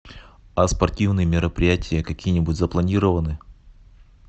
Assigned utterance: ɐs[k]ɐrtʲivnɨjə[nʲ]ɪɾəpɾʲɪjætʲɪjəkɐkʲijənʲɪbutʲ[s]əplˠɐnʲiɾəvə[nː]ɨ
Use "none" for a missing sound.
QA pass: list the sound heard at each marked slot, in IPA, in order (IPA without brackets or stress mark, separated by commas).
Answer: p, mʲ, z, n